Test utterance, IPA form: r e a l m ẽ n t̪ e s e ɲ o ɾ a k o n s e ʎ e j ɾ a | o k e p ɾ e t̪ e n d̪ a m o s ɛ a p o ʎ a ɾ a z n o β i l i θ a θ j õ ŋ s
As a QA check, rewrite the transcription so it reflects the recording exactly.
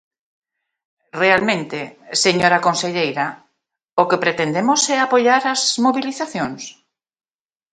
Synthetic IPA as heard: r e a l m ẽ n t̪ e s e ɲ o ɾ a k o n s e ʎ e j ɾ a | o k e p ɾ e t̪ e n d̪ e m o s ɛ a p o ʎ a ɾ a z m o β i l i θ a θ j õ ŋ s